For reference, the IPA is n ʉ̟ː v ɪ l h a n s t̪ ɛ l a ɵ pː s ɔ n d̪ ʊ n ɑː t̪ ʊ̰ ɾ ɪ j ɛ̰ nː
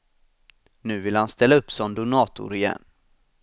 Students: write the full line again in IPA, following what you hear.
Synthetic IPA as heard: n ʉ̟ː v ɪ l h a n s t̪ ɛ lː a ɵ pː s ɔ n d̪ ʊ n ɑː t̪ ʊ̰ ɾ ɪ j ɛ̰ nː